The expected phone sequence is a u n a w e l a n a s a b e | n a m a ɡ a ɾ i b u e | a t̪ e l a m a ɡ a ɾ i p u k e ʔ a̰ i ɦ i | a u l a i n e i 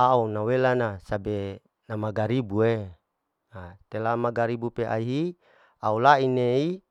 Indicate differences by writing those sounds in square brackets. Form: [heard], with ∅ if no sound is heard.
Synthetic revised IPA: a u n a w e l a n a s a b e | n a m a ɡ a ɾ i b u e | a t̪ e l a m a ɡ a ɾ i [b] u [p] e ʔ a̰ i ɦ i | a u l a i n e i